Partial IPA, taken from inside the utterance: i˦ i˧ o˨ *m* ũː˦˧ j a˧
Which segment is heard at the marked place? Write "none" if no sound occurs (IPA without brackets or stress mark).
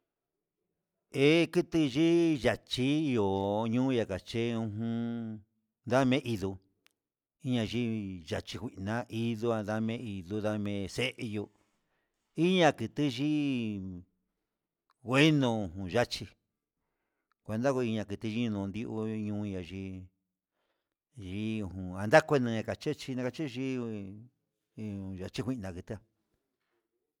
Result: ɲ